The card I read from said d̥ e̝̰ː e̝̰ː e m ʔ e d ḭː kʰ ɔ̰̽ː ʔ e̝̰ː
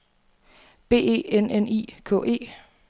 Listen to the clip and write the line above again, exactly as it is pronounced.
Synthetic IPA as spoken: b̥ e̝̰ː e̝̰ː e n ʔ e n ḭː kʰ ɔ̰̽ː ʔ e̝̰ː